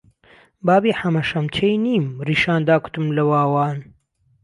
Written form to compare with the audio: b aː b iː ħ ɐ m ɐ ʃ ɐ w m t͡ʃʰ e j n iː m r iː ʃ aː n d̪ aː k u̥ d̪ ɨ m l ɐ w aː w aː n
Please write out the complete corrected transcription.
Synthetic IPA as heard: b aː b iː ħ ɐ m ɐ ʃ ɐ m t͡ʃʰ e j n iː m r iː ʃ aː n d̪ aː k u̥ t̪ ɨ m l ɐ w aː w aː n

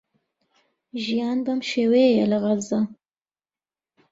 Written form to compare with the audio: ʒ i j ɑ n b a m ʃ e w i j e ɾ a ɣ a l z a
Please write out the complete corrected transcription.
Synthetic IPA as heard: ʒ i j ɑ n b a m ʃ e w e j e l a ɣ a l z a

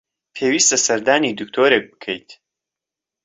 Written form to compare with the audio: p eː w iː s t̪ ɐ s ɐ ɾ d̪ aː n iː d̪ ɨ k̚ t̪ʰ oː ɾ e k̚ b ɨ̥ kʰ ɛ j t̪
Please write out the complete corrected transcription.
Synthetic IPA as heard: pʰ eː w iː s t̪ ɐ s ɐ ɾ d̪ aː n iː d̪ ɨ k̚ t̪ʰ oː ɾ e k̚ b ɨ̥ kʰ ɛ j t̪

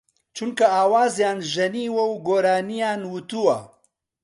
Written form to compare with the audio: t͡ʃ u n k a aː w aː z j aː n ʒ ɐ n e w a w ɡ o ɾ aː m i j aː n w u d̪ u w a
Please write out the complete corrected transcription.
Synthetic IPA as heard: t͡ʃ u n k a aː w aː z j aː n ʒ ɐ n i w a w ɡ o ɾ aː n i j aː n w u t̪ u w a

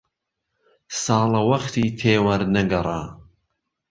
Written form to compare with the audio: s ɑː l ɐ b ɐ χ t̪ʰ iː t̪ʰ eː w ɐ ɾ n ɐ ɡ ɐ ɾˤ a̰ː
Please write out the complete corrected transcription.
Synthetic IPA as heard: s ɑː l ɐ w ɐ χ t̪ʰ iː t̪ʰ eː w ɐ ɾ n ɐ ɡ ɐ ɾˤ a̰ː

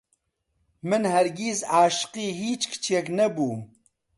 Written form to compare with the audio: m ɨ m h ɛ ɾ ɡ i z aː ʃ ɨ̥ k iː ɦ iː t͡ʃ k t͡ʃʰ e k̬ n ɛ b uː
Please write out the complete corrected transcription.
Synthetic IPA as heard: m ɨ n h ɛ ɾ ɡ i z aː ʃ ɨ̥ q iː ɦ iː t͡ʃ k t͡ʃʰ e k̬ n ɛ b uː

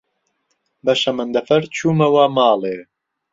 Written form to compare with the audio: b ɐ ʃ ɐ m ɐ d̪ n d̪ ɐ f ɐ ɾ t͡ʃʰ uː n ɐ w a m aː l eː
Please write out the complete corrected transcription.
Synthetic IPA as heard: b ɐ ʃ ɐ m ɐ n d̪ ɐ f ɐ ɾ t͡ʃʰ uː m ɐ w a m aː l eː

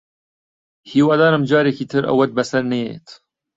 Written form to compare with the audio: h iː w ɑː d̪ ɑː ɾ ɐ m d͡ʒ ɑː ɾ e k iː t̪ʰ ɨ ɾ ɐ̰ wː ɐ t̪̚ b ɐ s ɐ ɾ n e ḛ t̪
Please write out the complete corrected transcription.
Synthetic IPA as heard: h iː w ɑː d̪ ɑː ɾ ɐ m d͡ʒ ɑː ɾ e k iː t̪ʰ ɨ ɾ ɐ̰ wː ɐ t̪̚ b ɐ s ɐ ɾ n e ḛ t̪

